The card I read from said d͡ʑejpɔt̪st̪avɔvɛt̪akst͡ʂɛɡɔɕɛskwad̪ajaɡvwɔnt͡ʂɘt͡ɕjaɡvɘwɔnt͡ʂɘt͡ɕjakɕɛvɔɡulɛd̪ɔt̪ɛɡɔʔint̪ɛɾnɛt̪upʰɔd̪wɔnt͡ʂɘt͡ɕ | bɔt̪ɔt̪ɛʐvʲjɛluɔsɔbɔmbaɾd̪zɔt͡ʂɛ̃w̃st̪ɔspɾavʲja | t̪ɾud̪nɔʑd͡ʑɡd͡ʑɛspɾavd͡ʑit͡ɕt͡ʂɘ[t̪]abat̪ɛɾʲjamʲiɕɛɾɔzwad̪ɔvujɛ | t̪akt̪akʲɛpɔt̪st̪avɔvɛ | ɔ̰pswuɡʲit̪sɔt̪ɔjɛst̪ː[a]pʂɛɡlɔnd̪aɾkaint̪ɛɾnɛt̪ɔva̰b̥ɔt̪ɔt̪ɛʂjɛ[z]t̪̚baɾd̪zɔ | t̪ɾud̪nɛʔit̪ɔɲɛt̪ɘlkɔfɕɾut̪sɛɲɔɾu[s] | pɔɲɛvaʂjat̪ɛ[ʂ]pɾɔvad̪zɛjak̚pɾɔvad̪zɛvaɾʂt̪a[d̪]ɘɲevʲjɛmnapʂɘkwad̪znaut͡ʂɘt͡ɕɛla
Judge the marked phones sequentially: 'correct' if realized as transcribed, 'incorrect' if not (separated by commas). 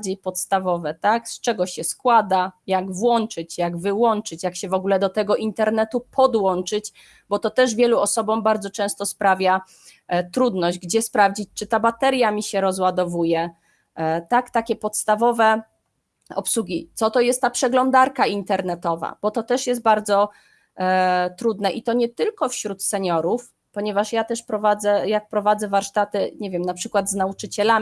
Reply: correct, correct, incorrect, incorrect, correct, incorrect